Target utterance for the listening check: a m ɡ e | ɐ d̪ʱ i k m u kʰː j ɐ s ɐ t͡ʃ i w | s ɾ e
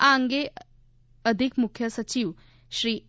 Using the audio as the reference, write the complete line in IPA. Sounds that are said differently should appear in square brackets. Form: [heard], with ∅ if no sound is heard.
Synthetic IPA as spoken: a [ŋ] ɡ e | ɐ d̪ʱ i k m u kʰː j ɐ s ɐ t͡ʃ i w | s ɾ [i]